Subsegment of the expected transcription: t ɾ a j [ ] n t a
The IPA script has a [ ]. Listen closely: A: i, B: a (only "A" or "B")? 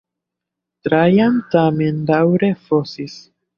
B